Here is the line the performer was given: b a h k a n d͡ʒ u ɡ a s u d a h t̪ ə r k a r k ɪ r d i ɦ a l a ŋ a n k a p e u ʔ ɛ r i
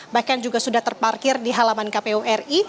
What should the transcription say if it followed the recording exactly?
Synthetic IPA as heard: b a h k a n d͡ʒ u ɡ a s u d a h t̪ ə r p a r k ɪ r d i ɦ a l a m a n k a p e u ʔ ɛ r i